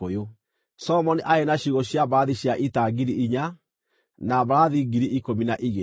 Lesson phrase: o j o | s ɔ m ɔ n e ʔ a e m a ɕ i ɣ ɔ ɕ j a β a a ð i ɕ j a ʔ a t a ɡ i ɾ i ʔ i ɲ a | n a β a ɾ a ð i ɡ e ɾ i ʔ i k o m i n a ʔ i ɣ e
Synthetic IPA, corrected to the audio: o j o | s ɔ m ɔ n i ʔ a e n a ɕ i ɣ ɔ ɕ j a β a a ð i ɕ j a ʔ i t a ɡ i ɾ i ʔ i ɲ a | n a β a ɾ a ð i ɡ i ɾ i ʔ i k o m i n a ʔ i ɣ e